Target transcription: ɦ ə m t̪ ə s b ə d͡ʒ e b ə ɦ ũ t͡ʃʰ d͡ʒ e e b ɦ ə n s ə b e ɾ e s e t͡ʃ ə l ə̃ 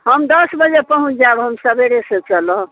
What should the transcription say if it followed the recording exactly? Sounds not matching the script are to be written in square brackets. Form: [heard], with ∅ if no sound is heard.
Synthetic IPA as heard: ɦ ə m [d̪] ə s b ə d͡ʒ e [p] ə ɦ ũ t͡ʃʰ d͡ʒ [a] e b ɦ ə [m] s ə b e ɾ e s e t͡ʃ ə l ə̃